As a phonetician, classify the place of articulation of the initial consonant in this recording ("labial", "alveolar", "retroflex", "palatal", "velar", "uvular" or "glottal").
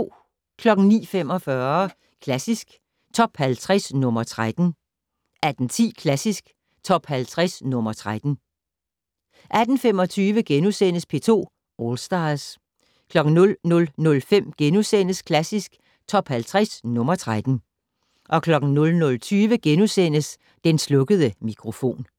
velar